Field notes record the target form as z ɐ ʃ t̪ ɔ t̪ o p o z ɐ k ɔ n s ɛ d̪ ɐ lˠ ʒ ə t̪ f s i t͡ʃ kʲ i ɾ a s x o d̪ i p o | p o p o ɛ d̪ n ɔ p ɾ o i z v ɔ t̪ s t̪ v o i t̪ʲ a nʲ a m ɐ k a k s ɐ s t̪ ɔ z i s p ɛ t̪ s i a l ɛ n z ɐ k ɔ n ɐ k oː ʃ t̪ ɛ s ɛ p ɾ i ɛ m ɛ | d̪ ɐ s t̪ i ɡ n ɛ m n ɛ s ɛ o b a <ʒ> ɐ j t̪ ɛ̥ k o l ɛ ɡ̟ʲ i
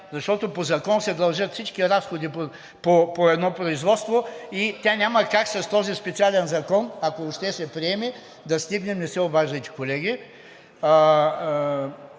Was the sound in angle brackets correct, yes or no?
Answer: yes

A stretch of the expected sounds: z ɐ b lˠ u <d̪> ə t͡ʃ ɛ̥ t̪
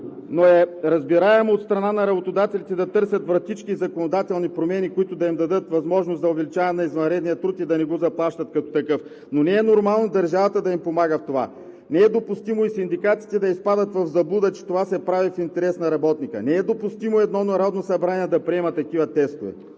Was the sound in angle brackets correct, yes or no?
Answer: yes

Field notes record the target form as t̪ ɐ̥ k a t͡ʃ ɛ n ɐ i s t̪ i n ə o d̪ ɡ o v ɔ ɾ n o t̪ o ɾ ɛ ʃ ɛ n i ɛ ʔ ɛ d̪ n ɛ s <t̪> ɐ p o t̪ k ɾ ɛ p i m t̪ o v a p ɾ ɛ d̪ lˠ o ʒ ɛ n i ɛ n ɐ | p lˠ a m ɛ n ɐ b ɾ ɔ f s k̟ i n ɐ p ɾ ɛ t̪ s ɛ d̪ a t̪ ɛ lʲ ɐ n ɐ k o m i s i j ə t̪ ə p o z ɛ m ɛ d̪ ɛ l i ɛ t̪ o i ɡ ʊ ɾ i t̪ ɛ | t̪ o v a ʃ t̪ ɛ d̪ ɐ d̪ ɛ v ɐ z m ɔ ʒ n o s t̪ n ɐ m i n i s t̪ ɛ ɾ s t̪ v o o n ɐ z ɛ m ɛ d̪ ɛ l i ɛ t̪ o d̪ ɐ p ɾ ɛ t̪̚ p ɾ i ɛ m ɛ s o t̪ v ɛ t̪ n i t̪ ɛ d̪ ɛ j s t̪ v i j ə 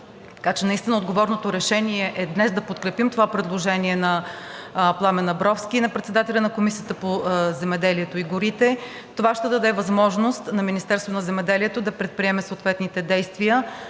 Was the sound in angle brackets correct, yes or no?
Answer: no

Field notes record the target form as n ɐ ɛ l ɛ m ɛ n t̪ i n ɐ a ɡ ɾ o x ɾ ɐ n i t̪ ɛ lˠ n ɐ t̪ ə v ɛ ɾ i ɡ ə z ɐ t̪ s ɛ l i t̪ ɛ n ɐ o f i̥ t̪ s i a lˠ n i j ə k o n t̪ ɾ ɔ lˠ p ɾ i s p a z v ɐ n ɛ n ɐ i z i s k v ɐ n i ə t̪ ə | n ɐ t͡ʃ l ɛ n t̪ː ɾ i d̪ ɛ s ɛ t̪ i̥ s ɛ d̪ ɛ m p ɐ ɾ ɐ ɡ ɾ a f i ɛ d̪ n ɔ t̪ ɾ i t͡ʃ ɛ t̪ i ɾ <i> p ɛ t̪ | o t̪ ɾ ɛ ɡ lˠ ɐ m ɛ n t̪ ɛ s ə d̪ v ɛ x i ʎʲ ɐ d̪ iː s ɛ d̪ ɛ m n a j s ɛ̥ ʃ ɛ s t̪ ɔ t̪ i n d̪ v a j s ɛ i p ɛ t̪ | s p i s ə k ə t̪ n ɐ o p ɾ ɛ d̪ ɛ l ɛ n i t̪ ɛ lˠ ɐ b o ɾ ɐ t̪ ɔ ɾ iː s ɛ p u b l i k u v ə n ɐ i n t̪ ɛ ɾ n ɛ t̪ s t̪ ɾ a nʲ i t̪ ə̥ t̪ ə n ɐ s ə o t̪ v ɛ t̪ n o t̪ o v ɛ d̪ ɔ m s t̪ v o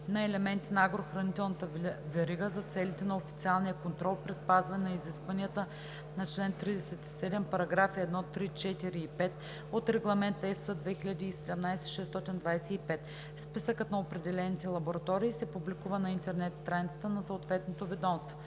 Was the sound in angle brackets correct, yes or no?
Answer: no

